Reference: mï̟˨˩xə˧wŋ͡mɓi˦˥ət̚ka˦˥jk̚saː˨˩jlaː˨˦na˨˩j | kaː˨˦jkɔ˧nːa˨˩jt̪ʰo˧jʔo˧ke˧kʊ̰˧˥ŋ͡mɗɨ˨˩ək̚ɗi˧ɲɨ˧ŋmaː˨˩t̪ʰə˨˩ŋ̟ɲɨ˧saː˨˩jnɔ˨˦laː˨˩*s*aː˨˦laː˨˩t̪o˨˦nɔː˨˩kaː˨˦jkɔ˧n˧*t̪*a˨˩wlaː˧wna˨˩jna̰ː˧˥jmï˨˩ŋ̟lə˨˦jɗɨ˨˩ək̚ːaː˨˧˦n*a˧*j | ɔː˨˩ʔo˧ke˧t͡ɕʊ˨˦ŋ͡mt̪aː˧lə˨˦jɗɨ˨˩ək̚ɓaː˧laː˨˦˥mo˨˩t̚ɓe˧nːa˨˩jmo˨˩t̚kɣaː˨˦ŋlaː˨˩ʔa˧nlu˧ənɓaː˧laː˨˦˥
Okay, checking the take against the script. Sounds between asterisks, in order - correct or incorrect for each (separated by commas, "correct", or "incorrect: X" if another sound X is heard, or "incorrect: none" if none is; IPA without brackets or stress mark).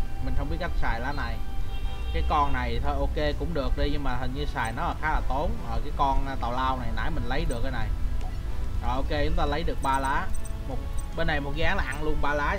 incorrect: x, correct, incorrect: a˨˩